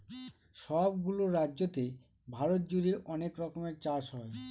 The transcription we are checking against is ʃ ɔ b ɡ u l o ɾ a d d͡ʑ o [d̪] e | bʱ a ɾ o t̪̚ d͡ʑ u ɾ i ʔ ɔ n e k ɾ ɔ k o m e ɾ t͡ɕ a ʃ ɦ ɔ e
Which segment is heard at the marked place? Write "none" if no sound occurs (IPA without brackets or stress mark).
t̪